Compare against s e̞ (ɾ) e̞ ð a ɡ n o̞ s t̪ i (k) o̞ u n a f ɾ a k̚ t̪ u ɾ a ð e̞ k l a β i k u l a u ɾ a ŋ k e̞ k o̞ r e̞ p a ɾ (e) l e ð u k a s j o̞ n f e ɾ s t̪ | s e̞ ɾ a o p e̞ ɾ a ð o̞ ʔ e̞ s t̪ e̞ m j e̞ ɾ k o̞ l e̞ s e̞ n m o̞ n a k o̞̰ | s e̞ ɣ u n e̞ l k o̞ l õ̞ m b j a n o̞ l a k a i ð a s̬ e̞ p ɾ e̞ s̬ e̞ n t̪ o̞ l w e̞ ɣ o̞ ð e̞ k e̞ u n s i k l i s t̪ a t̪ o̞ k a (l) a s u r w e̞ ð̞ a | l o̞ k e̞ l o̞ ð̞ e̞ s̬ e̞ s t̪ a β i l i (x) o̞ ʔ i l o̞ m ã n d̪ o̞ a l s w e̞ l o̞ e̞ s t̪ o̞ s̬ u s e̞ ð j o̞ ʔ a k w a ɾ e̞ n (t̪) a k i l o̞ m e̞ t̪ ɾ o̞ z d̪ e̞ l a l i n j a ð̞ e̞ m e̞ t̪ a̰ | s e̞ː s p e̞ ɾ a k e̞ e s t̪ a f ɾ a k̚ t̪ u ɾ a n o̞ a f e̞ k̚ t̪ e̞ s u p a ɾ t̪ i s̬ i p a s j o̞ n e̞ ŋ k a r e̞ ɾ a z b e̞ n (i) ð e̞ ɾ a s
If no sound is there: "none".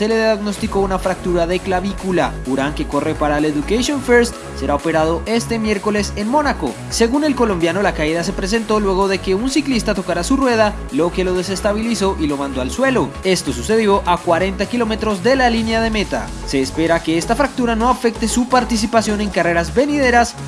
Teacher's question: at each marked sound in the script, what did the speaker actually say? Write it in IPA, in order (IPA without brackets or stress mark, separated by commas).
l, k, a, ɾ, s, t̪, i